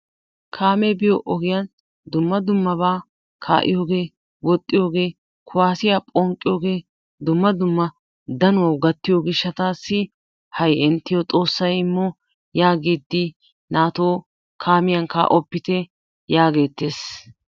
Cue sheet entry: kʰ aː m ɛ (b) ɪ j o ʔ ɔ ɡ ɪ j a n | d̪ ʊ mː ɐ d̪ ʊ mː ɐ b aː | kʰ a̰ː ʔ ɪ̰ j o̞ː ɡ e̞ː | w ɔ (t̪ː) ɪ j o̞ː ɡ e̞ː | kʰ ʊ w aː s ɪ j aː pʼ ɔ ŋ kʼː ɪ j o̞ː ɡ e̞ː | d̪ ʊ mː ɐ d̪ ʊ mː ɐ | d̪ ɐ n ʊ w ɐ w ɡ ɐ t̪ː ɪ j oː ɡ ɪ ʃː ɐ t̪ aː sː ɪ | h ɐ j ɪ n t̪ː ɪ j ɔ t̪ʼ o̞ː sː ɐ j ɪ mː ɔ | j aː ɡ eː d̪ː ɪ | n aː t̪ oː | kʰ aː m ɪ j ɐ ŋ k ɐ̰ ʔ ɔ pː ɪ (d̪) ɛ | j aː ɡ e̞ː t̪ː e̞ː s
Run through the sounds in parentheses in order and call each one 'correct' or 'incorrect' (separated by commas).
correct, incorrect, incorrect